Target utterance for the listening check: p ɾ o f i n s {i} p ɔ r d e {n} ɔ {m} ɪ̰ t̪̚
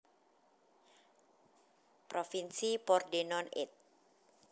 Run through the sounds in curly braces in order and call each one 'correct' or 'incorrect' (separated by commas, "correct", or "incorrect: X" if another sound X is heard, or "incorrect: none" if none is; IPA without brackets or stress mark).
correct, correct, incorrect: n